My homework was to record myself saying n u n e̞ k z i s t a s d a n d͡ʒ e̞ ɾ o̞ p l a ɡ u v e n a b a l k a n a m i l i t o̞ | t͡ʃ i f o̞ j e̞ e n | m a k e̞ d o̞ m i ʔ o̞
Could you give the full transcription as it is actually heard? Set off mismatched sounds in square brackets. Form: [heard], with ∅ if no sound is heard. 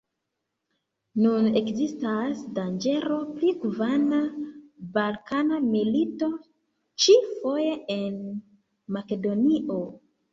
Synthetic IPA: n u n e̞ k z i s t a s d a n d͡ʒ e̞ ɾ o̞ p l [i] ɡ u v [a] n a b a l k a n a m i l i t o̞ | t͡ʃ i f o̞ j e̞ e n | m a k e̞ d o̞ [n] i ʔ o̞